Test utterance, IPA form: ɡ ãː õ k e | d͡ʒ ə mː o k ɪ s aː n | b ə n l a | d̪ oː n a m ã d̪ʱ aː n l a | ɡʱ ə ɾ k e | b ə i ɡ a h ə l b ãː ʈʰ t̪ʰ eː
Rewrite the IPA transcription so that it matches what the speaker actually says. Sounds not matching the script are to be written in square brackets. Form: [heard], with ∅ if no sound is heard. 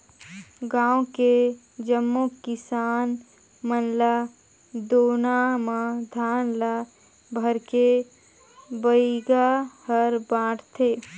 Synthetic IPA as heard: ɡ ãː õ k e | d͡ʒ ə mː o k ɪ s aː n | [m] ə n l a | d̪ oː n a m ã d̪ʱ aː n l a | [bʱ] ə ɾ k e | b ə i ɡ a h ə [ɾ] b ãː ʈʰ t̪ʰ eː